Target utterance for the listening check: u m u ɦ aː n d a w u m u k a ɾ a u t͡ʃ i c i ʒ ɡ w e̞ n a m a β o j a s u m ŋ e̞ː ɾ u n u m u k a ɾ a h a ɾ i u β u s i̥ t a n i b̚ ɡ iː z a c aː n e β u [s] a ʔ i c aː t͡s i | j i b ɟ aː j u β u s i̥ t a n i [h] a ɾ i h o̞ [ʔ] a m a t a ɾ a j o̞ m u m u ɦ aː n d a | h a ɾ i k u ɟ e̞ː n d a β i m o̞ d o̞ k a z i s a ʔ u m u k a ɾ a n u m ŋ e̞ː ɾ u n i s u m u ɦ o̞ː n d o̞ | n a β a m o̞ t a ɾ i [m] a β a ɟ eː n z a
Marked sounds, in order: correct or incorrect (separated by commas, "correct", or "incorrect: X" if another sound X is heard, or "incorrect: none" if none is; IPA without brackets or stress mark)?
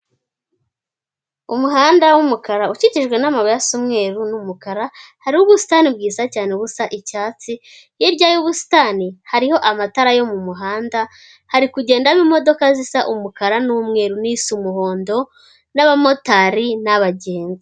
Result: correct, correct, correct, incorrect: n